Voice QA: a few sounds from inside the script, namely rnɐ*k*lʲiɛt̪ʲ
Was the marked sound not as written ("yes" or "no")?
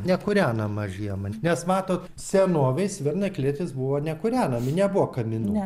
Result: no